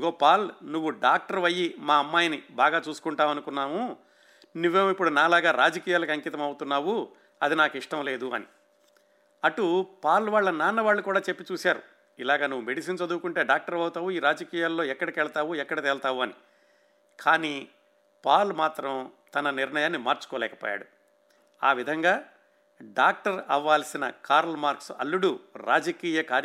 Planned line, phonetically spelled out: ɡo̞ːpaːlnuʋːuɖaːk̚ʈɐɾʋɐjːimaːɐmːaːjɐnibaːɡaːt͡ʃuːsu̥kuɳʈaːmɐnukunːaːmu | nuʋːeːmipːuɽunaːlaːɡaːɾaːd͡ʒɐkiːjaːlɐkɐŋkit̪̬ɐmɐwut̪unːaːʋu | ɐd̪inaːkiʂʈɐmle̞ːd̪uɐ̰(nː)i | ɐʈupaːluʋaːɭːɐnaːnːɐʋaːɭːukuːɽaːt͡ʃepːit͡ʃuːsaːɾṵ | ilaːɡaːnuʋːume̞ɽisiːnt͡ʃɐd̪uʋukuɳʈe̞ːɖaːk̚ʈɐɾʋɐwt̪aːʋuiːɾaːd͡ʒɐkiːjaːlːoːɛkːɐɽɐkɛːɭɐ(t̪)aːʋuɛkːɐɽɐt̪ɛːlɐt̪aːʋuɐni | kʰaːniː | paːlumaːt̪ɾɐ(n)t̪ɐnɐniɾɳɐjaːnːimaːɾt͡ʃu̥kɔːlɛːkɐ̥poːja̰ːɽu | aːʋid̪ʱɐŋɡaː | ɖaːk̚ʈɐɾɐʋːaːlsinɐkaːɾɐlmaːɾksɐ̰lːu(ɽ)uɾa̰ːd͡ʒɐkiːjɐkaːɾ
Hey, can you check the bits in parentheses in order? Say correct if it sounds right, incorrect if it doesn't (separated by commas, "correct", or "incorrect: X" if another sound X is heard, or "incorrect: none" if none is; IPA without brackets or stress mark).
incorrect: n, correct, incorrect: m, correct